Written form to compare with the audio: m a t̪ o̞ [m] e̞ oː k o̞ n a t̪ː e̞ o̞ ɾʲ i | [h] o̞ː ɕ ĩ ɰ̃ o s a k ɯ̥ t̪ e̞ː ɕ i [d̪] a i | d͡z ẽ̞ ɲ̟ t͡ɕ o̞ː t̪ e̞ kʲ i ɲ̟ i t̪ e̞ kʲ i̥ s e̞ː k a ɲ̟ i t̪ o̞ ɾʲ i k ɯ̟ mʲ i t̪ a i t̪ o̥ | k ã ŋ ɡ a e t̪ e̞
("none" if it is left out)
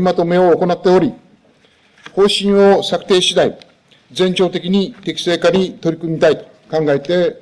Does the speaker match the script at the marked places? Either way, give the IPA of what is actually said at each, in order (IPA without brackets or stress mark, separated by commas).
m, h, d̪